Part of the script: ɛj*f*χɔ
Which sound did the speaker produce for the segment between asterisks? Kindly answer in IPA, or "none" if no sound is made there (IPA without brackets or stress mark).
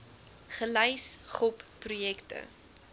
s